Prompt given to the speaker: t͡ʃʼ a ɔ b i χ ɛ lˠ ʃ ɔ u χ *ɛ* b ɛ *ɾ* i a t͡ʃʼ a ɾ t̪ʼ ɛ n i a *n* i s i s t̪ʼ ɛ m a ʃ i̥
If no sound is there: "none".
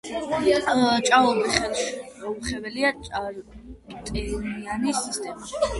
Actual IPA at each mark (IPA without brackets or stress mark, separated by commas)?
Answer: ɛ, l, n